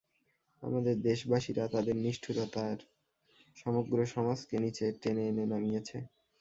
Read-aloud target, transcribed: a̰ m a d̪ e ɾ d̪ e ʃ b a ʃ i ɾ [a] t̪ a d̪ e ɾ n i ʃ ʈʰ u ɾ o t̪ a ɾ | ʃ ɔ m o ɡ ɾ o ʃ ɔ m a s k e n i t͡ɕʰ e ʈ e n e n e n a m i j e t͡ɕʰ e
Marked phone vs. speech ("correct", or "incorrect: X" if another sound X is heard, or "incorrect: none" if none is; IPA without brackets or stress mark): correct